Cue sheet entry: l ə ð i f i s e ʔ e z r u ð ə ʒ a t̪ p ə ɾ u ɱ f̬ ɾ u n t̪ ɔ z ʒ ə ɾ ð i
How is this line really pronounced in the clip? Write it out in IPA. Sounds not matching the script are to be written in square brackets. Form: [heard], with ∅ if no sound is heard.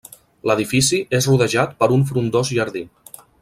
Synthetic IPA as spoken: l ə ð i f i s [i] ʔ e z r u ð ə ʒ a t̪ p ə ɾ u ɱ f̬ ɾ u n [d̪] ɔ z ʒ ə ɾ ð i